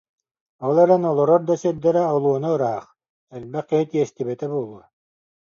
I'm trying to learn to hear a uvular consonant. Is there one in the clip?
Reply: yes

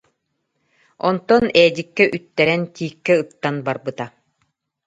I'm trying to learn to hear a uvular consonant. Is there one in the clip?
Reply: no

